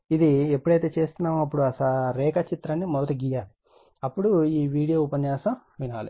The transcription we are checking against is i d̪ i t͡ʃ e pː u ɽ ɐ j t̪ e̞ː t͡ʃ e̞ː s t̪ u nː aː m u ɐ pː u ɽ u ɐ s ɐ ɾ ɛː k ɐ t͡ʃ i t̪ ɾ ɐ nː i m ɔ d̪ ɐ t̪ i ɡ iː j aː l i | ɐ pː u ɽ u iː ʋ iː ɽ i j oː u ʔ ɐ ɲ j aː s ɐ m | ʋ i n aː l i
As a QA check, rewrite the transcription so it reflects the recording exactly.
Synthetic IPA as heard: i d̪ i e pː u ɽ ɐ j t̪ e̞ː t͡ʃ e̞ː s t̪ u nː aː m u ɐ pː u ɽ u ɐ s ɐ ɾ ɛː k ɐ t͡ʃ i t̪ ɾ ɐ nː i m ɔ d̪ ɐ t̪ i ɡ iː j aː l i | ɐ pː u ɽ u iː ʋ iː ɽ i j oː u p ɐ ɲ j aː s ɐ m | ʋ i n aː l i